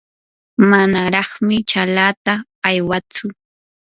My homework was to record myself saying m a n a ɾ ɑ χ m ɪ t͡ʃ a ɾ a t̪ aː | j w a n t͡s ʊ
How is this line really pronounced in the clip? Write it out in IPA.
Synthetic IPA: m a n a ɾ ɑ χ m ɪ t͡ʃ a l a t̪ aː | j w a t͡s ʊ

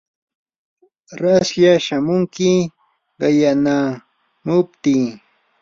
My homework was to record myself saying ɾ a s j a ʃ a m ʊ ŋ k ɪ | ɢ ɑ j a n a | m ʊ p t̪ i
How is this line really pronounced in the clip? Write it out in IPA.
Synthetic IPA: ɾ a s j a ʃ a m ʊ ŋ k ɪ | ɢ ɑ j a n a | m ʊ p t̪ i

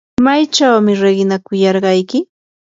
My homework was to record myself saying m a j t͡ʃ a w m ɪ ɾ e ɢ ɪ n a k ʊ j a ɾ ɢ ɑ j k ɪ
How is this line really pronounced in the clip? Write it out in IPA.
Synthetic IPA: m a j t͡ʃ a w m ɪ ɾ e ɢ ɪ n a k ʊ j ɑ ɾ ɢ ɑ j k ɪ

